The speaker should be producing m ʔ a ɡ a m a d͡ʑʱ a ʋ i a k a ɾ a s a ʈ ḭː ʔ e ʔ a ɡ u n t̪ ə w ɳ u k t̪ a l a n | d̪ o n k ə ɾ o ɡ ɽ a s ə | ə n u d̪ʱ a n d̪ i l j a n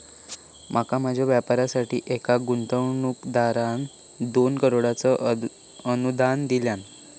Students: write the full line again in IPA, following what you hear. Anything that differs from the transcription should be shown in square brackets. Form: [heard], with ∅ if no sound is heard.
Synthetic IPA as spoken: m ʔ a [k] a m a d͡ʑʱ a ʋ [j] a [p] a ɾ a s a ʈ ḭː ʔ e [k] a ɡ u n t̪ ə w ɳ u k [d̪] a [ɾ] a n | d̪ o n k ə ɾ o [∅] ɽ a [t͡s] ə | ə n u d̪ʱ a n d̪ i l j a n